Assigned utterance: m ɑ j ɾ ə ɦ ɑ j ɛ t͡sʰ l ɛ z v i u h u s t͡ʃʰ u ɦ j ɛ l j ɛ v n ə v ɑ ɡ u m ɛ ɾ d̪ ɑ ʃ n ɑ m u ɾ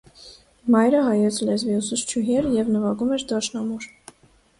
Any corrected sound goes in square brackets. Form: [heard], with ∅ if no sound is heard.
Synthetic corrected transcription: m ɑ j ɾ ə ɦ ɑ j ɛ t͡sʰ l ɛ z v i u [s] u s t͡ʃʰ u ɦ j ɛ [ɾ] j ɛ v n ə v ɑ ɡ u m ɛ ɾ d̪ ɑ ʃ n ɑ m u ɾ